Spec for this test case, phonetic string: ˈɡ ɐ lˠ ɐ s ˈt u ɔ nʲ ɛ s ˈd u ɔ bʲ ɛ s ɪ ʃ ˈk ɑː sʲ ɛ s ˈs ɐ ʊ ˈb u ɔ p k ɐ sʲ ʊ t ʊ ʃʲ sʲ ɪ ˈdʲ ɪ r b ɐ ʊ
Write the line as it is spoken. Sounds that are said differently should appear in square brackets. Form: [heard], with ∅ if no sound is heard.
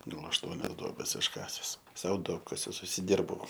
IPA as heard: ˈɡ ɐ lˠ ɐ [ʃ] ˈt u ɔ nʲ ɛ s ˈd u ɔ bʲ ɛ s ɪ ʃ ˈk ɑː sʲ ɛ s ˈs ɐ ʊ [ˈd] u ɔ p k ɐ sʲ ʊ [s] ʊ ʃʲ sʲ ɪ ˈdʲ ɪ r b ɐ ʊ